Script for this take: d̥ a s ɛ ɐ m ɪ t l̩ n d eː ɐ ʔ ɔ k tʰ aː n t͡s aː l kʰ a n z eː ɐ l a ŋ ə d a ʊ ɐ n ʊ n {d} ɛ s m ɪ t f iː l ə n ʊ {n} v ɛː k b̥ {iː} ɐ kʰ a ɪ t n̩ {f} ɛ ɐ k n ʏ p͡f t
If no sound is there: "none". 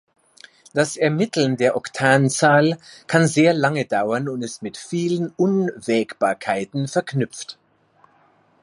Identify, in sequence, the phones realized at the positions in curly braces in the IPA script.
t, n, aː, f

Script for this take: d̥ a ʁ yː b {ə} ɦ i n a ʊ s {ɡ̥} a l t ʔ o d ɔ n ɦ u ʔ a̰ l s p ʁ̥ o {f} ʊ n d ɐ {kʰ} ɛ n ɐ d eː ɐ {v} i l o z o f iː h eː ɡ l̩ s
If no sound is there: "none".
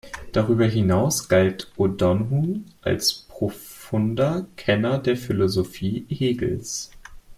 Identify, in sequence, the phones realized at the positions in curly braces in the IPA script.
ɐ, ɡ̥, f, kʰ, f

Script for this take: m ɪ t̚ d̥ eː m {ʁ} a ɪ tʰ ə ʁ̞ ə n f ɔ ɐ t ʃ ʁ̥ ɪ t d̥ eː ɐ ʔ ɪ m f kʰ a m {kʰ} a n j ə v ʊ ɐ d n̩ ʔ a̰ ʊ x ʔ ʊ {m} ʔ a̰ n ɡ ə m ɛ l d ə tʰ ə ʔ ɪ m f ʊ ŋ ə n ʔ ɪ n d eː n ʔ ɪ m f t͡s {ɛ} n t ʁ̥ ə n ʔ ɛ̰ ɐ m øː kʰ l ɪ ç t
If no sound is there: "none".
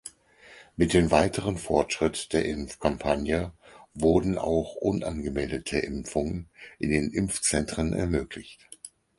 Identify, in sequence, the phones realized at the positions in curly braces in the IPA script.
v, pʰ, n, ɛ

